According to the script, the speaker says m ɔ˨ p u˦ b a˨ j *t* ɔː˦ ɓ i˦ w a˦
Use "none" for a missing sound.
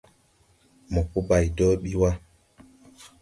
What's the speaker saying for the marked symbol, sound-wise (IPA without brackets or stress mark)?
d